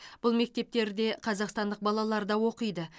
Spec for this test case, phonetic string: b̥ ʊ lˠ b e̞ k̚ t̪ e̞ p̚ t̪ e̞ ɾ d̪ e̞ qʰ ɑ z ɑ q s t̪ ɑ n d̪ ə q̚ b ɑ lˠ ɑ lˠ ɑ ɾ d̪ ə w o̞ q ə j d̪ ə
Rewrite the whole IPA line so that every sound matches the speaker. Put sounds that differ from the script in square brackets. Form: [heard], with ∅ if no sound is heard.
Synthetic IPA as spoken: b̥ ʊ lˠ [m] e̞ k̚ t̪ e̞ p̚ t̪ e̞ ɾ d̪ e̞ qʰ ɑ z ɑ q s t̪ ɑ n d̪ ə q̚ b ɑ lˠ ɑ lˠ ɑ ɾ d̪ [ɑ] w o̞ q ə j d̪ ə